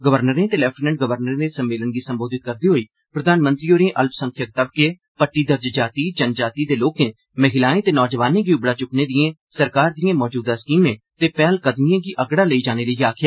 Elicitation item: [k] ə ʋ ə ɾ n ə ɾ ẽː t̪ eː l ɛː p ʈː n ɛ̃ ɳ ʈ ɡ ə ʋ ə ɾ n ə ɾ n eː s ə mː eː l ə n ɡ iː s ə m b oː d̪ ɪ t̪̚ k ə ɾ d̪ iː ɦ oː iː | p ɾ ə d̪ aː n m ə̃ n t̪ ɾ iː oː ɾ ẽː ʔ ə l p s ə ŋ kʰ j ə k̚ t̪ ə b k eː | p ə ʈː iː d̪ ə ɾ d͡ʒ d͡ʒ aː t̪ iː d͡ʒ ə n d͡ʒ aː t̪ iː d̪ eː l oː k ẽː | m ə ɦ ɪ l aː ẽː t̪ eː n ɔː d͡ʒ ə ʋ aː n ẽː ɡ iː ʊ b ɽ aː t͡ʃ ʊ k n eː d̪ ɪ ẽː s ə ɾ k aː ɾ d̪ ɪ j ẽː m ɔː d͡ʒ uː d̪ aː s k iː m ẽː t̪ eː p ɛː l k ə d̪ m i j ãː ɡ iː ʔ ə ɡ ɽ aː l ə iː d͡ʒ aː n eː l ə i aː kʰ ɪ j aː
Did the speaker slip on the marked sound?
yes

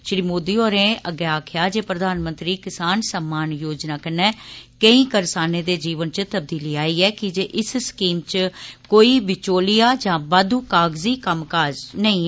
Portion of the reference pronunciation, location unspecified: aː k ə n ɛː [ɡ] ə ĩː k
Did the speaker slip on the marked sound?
yes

